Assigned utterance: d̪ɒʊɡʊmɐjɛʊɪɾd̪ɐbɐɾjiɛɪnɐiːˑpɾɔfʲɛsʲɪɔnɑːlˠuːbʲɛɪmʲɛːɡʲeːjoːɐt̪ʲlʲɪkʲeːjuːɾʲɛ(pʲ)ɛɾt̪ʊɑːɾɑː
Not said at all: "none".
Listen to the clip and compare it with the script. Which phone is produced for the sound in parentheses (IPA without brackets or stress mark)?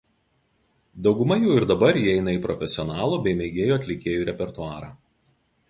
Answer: pʲ